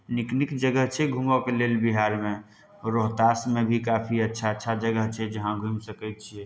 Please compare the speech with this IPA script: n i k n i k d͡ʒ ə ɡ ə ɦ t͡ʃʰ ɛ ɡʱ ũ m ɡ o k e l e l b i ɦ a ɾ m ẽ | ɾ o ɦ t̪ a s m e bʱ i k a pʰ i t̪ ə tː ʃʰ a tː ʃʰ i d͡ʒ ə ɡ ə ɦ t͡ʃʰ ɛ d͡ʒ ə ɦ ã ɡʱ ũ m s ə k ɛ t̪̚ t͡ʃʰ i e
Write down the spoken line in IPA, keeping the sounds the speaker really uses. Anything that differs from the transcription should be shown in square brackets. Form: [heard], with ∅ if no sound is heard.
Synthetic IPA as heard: n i k n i k d͡ʒ ə ɡ ə ɦ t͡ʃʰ ɛ ɡʱ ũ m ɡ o k e l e l b i ɦ a ɾ m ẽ | ɾ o ɦ t̪ a s m e bʱ i k a pʰ i [∅] ə tː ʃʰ a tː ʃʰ [a] d͡ʒ ə ɡ ə ɦ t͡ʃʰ ɛ d͡ʒ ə ɦ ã ɡʱ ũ m s ə k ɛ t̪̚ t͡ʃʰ i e